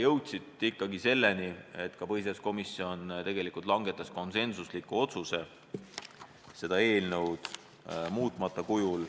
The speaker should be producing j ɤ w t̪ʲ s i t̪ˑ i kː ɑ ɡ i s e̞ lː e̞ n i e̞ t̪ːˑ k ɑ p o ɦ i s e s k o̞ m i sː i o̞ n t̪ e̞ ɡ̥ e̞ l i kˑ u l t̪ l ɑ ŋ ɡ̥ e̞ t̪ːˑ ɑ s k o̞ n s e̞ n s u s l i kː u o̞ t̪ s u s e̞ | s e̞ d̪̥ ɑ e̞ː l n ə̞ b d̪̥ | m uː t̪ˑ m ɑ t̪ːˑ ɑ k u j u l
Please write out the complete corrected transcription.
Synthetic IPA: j ɤ w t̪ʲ s i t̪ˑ i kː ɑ ɡ i s e̞ lː e̞ n i e̞ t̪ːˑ k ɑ p ɤ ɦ i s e s k o̞ m i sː i o̞ n t̪ e̞ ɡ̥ e̞ l i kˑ u l t̪ l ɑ ŋ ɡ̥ e̞ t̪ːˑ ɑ s k o̞ n s e̞ n s u s l i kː u o̞ t̪ s u s e̞ | s e̞ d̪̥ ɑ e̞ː l n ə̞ w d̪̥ | m uː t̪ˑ m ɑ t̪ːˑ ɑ k u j u l